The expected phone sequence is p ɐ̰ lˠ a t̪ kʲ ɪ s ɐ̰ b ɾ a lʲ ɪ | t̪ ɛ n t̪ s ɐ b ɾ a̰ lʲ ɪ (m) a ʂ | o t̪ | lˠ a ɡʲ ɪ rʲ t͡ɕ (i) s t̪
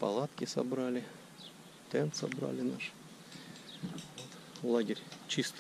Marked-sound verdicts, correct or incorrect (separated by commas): incorrect, correct